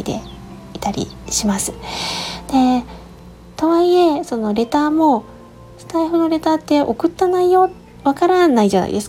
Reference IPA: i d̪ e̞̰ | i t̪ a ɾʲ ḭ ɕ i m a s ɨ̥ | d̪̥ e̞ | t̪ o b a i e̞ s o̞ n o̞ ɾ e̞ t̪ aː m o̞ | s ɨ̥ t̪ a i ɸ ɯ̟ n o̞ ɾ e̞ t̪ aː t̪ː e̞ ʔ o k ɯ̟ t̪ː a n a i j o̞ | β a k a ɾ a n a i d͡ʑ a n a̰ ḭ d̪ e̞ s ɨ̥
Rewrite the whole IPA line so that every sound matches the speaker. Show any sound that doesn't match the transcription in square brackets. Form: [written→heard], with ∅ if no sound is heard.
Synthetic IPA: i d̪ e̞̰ | i t̪ a ɾʲ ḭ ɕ i m a s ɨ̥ | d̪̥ e̞ | t̪ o [b→β] a i e̞ s o̞ n o̞ ɾ e̞ t̪ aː m o̞ | s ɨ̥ t̪ a i ɸ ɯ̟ n o̞ ɾ e̞ t̪ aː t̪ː e̞ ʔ o k ɯ̟ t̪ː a n a i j o̞ | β a k a ɾ a n a i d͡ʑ a n a̰ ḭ d̪ e̞ s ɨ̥